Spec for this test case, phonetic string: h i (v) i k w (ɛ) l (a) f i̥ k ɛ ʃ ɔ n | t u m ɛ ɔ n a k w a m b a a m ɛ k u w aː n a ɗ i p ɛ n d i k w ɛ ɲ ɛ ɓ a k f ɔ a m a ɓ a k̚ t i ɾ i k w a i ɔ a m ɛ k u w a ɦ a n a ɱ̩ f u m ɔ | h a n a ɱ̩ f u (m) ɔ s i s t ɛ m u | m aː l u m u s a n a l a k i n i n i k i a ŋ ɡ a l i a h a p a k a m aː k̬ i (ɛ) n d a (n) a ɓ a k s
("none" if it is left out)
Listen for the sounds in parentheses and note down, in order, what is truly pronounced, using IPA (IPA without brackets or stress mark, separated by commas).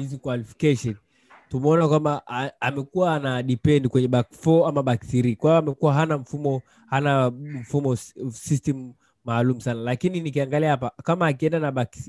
z, a, i, m, ɛ, n